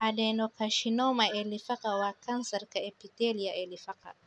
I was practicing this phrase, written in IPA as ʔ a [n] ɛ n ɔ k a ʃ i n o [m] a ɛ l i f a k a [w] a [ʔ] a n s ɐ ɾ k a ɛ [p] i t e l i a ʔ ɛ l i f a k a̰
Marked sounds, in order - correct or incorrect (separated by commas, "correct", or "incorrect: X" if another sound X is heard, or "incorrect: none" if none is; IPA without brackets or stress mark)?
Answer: incorrect: d, correct, correct, incorrect: k, correct